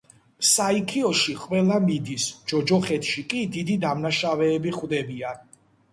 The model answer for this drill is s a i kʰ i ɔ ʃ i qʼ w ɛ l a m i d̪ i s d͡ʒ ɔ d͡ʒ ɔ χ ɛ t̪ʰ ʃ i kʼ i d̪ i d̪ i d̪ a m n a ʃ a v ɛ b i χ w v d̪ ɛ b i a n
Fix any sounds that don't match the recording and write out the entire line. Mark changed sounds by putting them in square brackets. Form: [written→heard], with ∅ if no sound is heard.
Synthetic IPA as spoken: s a i kʰ i ɔ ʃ i qʼ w ɛ l a m i d̪ i s d͡ʒ ɔ d͡ʒ ɔ χ ɛ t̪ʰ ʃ i kʼ i d̪ i d̪ i d̪ a m n a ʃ a v [ɛ→ɛː] b i χ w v d̪ ɛ b i a n